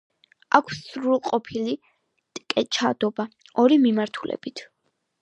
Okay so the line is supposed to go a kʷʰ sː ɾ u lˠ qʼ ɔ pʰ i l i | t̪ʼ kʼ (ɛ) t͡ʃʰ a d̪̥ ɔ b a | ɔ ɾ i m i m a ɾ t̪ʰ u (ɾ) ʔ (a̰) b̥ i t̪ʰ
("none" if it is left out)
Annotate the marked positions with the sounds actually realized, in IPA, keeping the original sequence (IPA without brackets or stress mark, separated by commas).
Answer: ɛ, l, ɛ̰